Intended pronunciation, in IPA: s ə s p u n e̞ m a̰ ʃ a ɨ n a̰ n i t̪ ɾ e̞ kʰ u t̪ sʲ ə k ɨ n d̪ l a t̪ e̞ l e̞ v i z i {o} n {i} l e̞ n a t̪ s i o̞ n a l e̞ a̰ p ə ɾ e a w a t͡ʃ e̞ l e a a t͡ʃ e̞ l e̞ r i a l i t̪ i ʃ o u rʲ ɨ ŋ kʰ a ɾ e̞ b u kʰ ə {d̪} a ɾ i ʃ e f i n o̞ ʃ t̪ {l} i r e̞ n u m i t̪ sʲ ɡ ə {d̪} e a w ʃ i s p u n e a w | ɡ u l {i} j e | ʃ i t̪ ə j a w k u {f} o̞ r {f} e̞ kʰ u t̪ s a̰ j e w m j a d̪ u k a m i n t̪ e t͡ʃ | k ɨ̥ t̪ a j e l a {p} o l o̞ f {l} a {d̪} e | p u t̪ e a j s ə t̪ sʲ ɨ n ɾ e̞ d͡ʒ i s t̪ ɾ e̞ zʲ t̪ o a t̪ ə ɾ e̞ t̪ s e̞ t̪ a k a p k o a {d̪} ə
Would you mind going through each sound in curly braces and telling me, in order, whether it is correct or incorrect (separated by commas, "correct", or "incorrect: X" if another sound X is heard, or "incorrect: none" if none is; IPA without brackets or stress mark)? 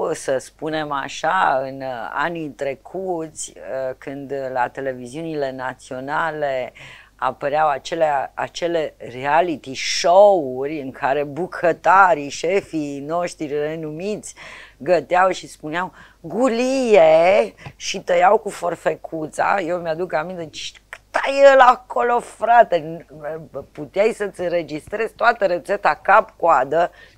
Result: incorrect: u, correct, incorrect: t̪, incorrect: ɾ, incorrect: t̪, correct, correct, correct, incorrect: k, incorrect: ɾ, incorrect: t̪, correct